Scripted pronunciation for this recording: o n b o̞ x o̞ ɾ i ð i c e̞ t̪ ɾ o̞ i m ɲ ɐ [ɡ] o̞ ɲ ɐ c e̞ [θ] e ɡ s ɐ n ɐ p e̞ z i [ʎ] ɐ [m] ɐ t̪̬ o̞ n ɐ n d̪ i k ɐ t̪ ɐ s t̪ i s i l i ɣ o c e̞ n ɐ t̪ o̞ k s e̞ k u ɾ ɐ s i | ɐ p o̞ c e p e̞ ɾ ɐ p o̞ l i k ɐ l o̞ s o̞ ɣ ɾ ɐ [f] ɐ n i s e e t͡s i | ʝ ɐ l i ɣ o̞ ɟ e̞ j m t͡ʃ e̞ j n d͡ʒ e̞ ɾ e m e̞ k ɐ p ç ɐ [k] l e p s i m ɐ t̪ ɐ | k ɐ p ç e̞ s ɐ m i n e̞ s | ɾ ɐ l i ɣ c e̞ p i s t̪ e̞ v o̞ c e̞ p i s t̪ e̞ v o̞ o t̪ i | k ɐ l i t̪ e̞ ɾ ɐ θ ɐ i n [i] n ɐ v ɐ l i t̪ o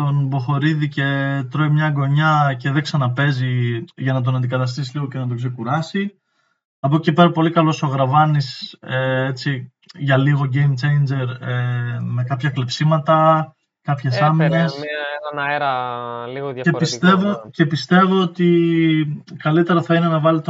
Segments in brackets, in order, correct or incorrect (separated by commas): correct, incorrect, incorrect, incorrect, incorrect, correct, incorrect